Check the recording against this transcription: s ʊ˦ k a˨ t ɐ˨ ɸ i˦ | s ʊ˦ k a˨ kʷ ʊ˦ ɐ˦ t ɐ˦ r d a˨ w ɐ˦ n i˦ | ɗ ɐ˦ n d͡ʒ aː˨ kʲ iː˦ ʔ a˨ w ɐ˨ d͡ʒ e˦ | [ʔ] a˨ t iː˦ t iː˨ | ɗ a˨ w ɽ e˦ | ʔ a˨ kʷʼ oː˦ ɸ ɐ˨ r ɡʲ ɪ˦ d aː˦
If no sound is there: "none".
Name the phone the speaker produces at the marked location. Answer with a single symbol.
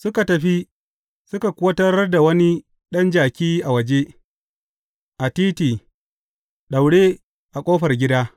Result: ʔ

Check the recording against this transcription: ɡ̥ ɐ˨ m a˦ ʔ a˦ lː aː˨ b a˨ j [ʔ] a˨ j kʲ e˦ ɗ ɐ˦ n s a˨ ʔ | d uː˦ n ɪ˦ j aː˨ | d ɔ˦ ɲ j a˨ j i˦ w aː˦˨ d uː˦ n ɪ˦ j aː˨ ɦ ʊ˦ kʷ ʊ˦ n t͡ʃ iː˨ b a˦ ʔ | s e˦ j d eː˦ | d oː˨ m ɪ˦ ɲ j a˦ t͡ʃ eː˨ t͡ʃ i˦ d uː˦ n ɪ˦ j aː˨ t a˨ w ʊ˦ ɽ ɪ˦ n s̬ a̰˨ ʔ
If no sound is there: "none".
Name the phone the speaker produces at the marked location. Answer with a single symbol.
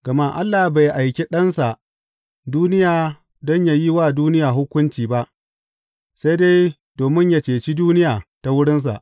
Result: ʔ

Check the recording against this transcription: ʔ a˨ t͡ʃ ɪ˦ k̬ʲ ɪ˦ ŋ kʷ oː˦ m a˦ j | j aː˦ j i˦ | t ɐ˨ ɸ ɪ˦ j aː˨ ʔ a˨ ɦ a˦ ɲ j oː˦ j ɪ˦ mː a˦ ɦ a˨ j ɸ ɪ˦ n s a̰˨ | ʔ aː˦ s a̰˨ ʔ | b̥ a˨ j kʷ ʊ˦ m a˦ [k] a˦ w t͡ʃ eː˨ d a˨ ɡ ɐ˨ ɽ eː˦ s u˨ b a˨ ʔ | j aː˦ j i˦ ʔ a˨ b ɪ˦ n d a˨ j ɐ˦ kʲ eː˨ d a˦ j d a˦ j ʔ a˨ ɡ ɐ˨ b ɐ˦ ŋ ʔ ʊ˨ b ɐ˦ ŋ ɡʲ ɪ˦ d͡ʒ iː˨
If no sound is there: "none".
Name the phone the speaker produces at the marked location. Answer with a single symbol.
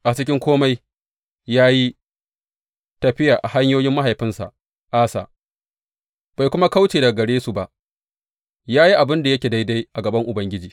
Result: k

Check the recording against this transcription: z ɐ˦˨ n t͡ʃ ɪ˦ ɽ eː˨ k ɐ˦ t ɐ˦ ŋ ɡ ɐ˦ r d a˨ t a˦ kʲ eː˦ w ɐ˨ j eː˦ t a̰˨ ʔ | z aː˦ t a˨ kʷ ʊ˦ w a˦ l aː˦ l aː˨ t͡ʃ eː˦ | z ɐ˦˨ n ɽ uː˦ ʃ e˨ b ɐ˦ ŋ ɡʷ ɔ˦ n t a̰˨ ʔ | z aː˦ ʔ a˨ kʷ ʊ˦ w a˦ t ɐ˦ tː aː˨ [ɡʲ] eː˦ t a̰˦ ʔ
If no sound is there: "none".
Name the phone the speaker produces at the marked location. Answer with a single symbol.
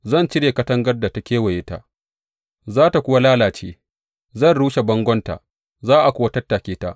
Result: kʲ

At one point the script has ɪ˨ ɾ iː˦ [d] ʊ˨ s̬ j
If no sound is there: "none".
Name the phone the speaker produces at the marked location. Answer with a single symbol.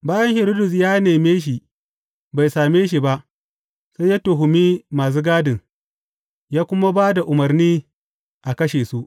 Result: d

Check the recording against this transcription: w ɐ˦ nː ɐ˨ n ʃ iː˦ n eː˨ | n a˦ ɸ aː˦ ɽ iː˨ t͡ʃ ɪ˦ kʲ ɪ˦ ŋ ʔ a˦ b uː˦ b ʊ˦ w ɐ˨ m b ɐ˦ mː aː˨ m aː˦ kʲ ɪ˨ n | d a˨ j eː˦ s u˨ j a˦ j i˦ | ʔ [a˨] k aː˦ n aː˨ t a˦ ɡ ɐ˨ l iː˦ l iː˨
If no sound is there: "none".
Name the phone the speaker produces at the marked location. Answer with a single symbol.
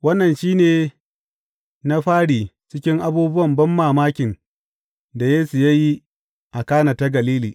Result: a˨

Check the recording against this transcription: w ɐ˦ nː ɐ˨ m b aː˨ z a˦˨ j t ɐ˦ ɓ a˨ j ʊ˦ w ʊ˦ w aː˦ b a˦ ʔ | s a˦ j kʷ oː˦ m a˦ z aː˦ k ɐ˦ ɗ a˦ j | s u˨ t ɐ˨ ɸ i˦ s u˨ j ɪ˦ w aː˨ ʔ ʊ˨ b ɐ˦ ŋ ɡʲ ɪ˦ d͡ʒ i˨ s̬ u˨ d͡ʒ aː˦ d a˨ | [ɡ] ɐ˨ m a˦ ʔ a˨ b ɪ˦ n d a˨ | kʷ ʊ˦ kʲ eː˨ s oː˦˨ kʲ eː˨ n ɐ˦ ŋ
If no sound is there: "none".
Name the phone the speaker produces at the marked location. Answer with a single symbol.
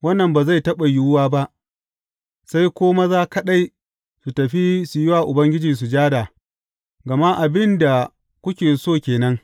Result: ɡ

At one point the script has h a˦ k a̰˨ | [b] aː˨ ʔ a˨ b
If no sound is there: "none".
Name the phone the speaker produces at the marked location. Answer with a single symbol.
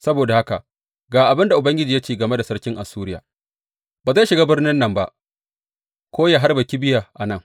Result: ɡ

